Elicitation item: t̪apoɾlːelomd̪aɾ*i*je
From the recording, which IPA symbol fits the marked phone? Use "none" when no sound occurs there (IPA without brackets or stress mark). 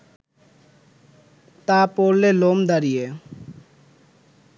i